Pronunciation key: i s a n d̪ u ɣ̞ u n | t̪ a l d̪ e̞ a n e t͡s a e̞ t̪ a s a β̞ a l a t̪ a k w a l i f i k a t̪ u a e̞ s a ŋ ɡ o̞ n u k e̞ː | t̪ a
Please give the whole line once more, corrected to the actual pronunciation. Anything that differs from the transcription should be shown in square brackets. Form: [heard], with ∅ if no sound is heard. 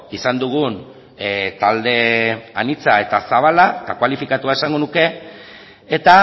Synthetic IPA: i s a n d̪ u ɣ̞ u n | t̪ a l d̪ e̞ a n [i] t͡s a e̞ t̪ a s a β̞ a l a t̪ a k w a l i f i k a t̪ u a e̞ s a ŋ ɡ o̞ n u k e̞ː | t̪ a

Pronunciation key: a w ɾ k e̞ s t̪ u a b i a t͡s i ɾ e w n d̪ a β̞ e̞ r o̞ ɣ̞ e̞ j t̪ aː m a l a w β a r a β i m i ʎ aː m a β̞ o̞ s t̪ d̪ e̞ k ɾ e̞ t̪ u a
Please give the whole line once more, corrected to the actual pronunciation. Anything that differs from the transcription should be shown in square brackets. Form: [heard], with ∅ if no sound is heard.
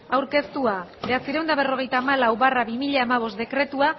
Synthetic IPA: a w ɾ k e̞ s t̪ u a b [e] a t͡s i ɾ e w n d̪ a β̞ e̞ r o̞ ɣ̞ e̞ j t̪ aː m a l a w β a r a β i m i ʎ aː m a β̞ o̞ s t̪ d̪ e̞ k ɾ e̞ t̪ u a

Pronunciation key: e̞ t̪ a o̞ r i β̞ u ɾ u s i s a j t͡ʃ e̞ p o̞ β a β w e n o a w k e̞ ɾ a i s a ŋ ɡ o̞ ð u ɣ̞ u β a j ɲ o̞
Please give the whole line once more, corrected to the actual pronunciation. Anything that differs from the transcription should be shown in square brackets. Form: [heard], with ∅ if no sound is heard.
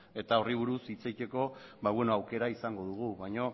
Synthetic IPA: e̞ t̪ a o̞ r i β̞ u ɾ u s i [t͡s] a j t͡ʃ e̞ [k] o̞ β a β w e n o a w k e̞ ɾ a i s a ŋ ɡ o̞ ð u ɣ̞ u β a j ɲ o̞

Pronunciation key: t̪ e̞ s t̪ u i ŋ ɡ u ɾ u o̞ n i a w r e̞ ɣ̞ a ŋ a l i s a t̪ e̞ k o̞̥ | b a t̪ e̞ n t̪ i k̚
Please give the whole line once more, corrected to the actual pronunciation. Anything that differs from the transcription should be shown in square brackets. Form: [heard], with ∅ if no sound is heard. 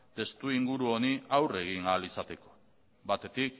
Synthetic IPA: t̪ e̞ s t̪ u i ŋ ɡ u ɾ u o̞ n i a w r e̞ ɣ̞ [i] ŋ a l i s a t̪ e̞ k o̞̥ | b a t̪ e̞ [∅] t̪ i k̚

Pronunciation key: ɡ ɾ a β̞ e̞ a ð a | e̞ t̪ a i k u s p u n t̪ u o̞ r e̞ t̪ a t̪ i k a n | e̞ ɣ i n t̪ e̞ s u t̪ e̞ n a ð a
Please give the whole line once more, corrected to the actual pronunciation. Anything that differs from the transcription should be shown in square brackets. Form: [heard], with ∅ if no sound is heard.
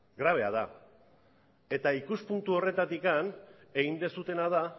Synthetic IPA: ɡ ɾ a β̞ e̞ a ð a | e̞ t̪ a i k u s p u n t̪ u o̞ r e̞ t̪ a t̪ i k a n | e̞ ɣ i n [d̪] e̞ s u t̪ e̞ n a ð a

